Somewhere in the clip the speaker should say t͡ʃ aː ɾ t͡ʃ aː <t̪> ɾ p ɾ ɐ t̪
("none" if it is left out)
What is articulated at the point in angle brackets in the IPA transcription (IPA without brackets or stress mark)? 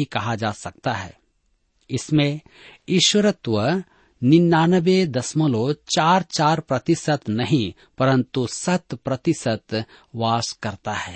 none